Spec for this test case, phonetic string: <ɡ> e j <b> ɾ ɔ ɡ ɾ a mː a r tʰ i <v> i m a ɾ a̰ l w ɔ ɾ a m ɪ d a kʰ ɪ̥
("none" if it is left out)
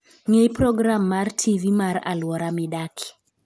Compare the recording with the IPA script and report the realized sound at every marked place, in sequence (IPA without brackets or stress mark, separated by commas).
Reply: ŋ, p, v